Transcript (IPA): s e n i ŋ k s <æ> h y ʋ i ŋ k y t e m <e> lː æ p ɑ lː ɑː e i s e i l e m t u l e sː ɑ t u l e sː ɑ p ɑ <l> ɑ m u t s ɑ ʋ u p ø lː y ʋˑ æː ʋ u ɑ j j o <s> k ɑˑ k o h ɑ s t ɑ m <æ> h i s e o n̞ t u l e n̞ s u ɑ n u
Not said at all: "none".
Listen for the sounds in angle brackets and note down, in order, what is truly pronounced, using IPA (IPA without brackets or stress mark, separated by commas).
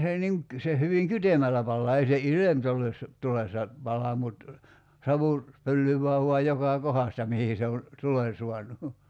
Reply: e, æ, l, none, i